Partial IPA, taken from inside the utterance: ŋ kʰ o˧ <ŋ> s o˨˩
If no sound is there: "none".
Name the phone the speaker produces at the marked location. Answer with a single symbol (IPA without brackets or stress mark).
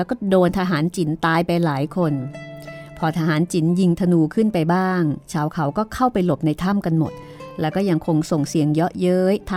ŋ